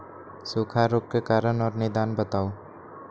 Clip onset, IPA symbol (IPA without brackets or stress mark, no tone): s